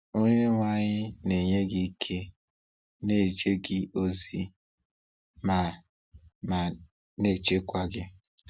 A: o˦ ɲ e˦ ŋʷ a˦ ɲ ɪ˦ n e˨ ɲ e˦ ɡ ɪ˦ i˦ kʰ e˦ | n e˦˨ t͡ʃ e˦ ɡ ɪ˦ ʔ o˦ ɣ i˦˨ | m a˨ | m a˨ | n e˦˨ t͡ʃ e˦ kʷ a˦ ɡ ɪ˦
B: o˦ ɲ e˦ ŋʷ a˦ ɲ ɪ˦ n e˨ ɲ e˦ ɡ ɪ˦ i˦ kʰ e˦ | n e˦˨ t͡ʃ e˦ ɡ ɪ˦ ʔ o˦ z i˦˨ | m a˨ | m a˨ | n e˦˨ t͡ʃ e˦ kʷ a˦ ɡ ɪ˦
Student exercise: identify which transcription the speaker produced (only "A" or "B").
B